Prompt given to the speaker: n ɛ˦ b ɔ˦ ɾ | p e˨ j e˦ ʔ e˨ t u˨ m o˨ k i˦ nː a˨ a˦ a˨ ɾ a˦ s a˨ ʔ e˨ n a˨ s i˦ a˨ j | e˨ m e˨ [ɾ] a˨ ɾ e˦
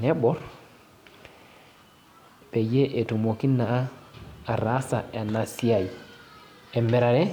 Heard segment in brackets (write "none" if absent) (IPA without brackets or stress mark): ɾ